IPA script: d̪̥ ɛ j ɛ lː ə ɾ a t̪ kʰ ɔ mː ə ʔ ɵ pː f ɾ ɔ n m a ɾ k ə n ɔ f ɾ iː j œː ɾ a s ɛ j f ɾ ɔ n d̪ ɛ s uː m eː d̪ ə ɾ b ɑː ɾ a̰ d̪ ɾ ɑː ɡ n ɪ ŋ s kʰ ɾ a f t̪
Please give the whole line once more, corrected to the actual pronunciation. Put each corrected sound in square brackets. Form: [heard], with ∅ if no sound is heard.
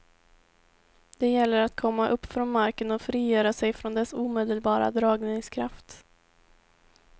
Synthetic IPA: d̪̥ ɛ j ɛ lː ə ɾ a t̪ kʰ ɔ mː [a] ʔ ɵ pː f ɾ ɔ n m a ɾ k ə n ɔ f ɾ iː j œː ɾ a s ɛ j f ɾ ɔ n d̪ ɛ s uː m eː d̪ ə [l] b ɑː ɾ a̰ d̪ ɾ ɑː ɡ n ɪ ŋ s kʰ ɾ a f t̪